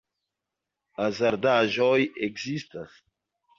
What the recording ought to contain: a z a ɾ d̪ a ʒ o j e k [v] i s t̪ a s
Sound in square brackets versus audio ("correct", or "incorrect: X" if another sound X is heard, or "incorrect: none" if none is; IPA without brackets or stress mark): incorrect: z